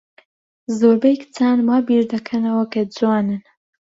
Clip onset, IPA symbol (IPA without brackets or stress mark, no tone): z